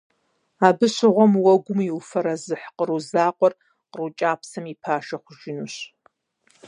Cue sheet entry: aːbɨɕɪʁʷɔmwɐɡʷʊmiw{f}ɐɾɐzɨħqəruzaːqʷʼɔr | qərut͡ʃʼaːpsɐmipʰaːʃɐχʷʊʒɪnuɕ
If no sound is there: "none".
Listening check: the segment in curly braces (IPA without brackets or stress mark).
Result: f